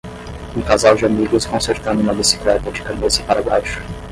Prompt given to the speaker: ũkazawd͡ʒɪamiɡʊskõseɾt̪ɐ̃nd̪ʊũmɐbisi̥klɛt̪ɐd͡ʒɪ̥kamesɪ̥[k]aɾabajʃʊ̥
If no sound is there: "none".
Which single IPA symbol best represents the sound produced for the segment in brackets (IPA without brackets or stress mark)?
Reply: p